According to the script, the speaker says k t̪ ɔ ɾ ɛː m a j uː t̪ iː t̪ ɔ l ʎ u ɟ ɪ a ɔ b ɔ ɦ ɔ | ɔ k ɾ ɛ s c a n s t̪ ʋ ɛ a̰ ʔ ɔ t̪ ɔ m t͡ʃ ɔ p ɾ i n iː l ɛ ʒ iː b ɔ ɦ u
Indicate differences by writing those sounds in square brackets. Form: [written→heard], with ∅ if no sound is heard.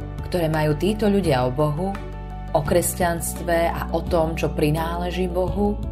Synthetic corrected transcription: k t̪ ɔ ɾ ɛː m a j uː t̪ iː t̪ ɔ [l→∅] ʎ u ɟ ɪ a ɔ b ɔ ɦ [ɔ→u] | ɔ k ɾ ɛ s c a n s t̪ ʋ ɛ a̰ ʔ ɔ t̪ ɔ m t͡ʃ ɔ p ɾ i n [iː→aː] l ɛ ʒ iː b ɔ ɦ u